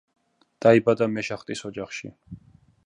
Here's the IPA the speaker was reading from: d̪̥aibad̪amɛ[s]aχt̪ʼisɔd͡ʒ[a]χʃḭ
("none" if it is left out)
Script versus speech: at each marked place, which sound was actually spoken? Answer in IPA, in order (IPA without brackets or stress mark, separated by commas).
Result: ʃ, a